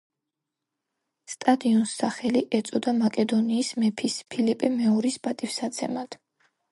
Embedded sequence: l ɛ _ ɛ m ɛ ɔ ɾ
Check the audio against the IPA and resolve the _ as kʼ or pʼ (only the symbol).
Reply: pʼ